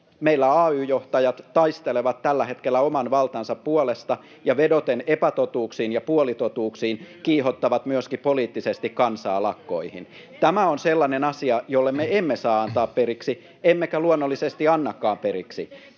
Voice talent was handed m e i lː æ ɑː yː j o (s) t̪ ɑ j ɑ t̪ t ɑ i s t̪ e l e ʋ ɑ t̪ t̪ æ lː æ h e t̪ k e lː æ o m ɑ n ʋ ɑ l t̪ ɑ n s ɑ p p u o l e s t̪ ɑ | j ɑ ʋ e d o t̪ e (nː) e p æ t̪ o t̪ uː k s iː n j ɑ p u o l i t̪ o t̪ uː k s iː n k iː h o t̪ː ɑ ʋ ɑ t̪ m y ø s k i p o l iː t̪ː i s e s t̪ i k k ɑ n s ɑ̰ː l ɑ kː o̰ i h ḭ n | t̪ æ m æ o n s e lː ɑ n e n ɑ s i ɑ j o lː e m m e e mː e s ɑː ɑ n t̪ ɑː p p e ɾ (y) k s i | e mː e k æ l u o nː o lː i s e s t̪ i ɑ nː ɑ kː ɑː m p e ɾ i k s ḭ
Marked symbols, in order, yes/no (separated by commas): no, no, no